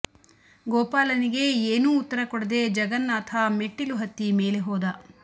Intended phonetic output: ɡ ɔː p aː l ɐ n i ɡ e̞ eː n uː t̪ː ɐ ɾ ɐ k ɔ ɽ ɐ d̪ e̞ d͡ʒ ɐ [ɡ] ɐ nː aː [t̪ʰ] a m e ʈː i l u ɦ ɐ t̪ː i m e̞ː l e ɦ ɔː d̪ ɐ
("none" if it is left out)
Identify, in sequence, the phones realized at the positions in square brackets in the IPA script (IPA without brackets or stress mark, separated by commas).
ɡ, t̪ʰ